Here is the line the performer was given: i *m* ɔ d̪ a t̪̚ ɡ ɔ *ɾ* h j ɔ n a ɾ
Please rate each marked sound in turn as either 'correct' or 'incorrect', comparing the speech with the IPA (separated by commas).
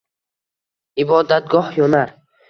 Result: incorrect, incorrect